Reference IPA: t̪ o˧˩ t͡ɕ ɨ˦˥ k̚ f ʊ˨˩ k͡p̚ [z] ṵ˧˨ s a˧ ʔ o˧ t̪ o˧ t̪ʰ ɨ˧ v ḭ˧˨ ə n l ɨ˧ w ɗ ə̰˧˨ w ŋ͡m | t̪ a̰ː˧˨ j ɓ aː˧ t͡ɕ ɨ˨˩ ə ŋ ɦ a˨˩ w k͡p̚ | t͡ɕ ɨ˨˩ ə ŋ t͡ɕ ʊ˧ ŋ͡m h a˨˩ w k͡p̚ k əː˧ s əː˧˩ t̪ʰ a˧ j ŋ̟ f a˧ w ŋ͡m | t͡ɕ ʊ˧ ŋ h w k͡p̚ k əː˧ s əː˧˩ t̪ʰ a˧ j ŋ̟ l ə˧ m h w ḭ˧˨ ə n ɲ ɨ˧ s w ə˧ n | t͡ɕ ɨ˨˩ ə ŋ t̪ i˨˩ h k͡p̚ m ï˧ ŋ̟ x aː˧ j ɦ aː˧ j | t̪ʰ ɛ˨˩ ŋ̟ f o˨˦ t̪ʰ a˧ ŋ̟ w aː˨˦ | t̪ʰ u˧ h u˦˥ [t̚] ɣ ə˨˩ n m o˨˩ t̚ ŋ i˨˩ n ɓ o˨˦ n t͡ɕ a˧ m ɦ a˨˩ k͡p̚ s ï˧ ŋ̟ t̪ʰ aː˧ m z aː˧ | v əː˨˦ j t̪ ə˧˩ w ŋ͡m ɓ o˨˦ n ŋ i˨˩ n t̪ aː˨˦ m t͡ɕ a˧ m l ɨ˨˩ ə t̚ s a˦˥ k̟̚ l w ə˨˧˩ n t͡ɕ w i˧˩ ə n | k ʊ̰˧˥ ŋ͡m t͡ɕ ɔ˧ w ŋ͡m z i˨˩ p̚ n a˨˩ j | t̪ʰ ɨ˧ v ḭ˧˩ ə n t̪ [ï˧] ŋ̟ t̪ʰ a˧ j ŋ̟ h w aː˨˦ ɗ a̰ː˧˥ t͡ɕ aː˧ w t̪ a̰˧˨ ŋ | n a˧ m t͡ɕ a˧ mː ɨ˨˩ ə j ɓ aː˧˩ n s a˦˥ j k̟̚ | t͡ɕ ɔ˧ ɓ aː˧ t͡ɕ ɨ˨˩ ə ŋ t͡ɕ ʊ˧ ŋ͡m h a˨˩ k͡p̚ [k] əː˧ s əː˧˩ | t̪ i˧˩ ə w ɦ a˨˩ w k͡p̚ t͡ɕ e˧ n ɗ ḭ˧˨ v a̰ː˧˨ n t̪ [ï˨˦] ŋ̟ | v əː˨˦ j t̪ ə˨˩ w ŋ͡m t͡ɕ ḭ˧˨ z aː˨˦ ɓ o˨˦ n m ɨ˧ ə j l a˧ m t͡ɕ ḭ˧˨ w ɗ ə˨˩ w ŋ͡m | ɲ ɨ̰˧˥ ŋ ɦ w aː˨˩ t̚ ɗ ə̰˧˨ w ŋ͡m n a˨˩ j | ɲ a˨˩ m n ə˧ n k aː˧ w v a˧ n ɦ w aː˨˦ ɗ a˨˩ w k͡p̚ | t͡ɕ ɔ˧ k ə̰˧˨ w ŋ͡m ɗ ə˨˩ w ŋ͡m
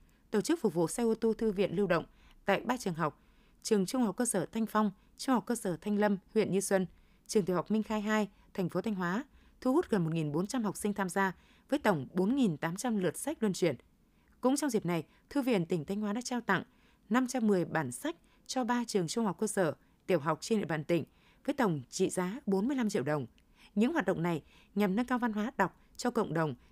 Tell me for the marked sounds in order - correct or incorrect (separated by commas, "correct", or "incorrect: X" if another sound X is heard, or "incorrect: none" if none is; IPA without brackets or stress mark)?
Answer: incorrect: v, correct, incorrect: ï˩, correct, incorrect: ï˧˩